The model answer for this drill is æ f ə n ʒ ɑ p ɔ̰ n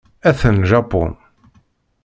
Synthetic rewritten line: æ θ ə n ʒ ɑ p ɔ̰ n

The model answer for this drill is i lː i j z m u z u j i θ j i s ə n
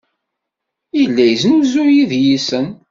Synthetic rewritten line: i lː æ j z n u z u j i ð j i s ə n

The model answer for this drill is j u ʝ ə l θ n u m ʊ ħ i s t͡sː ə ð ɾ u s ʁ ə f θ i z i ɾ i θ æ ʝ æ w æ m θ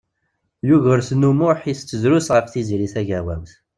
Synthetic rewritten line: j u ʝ ə ɾ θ n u m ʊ ħ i s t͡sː ə z ɾ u s ʁ ə f θ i z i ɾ i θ æ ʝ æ w æ m θ

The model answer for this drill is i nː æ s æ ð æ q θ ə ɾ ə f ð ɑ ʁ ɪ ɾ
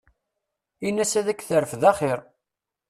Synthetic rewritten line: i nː æ s æ ð æ k θ ə ɾ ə f ð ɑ χ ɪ ɾ

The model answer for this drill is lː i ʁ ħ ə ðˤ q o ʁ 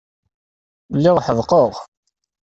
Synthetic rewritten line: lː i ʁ ħ ə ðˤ q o ʁ

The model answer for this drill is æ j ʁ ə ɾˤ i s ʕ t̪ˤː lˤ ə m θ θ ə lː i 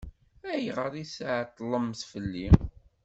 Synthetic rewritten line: æ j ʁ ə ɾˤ i s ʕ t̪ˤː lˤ ə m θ f ə lː i

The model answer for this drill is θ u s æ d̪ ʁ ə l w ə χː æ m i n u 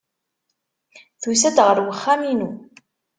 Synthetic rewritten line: θ u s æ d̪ ʁ ə ɾ w ə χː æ m i n u

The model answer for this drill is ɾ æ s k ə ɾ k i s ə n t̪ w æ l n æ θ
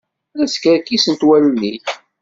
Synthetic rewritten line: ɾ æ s k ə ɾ k i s ə n t̪ w æ l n i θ

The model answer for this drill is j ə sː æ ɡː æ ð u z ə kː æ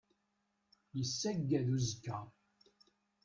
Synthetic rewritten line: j ə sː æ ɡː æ ð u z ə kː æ

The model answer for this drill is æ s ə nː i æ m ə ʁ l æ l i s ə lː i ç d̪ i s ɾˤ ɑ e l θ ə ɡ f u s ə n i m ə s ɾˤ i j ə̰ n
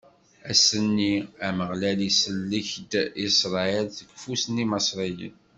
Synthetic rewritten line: æ s ə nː i æ m ə ʁ l æ l i s ə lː i ç d̪ i s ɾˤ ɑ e l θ ə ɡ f u s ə n i m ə s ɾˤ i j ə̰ n

